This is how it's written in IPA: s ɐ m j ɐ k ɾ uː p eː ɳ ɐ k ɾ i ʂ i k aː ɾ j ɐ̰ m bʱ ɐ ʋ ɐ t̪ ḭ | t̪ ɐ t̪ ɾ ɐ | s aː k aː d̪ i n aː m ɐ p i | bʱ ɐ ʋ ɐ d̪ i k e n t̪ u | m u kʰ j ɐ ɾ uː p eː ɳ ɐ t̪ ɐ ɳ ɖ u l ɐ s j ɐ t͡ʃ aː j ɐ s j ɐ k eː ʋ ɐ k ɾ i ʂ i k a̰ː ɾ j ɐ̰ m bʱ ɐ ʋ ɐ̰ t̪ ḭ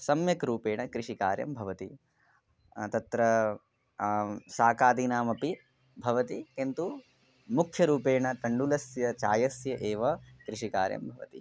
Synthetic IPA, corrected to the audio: s ɐ m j ɐ k ɾ uː p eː ɳ ɐ k ɾ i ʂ i k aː ɾ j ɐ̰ m bʱ ɐ ʋ ɐ t̪ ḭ | t̪ ɐ t̪ ɾ ɐ | s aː k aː d̪ i n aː m ɐ p i | bʱ ɐ ʋ ɐ t̪ i k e n t̪ u | m u kʰ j ɐ ɾ uː p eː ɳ ɐ t̪ ɐ ɳ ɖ u l ɐ s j ɐ t͡ʃ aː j ɐ s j ɐ ʔ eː ʋ ɐ k ɾ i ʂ i k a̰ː ɾ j ɐ̰ m bʱ ɐ ʋ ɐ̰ t̪ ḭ